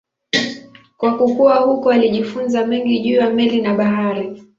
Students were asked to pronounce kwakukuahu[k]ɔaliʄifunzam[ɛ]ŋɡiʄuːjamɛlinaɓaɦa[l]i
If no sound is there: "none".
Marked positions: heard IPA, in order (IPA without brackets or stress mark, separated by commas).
k, ɛ, ɾ